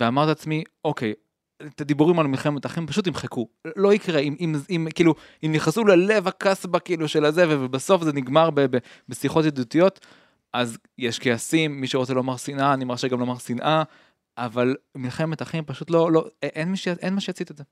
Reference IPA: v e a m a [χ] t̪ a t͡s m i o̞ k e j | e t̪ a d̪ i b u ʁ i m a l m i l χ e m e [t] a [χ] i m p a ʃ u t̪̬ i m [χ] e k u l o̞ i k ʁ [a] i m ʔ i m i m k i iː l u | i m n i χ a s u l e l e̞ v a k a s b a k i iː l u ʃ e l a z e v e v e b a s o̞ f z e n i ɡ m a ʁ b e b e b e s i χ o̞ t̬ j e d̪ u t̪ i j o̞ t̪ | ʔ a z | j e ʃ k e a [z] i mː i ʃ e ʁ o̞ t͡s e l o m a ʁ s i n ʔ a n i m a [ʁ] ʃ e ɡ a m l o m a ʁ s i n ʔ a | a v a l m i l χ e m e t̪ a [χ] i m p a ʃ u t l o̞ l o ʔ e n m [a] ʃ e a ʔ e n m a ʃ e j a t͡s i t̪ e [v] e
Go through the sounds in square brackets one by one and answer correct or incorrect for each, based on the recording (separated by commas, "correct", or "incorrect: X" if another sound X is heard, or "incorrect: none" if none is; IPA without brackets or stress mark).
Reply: incorrect: ʁ, correct, correct, correct, incorrect: e, incorrect: s, correct, correct, incorrect: i, incorrect: z